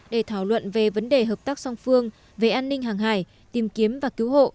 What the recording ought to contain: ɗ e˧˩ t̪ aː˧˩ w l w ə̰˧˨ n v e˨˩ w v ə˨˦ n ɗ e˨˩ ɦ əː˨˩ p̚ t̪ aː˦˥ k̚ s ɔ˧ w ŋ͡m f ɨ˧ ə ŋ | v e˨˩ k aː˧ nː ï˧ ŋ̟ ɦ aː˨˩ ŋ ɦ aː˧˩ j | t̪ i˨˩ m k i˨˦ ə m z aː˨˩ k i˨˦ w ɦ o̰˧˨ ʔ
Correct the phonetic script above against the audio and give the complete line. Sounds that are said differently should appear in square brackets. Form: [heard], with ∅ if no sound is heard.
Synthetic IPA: ɗ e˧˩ [t̪ʰ] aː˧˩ w l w ə̰˧˨ n v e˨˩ [∅] v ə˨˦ n ɗ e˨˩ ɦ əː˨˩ p̚ t̪ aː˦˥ k̚ s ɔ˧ w ŋ͡m f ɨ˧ ə ŋ | v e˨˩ [ʔ] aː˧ nː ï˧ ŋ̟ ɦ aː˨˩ ŋ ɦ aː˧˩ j | t̪ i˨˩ m k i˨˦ ə m [v] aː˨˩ k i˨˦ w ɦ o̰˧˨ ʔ